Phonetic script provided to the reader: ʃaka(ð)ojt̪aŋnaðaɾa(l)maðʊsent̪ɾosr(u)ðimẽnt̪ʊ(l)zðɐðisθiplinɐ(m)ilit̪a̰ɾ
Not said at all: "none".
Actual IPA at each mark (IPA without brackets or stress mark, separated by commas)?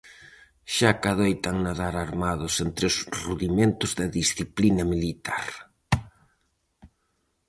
ð, ɾ, u, none, m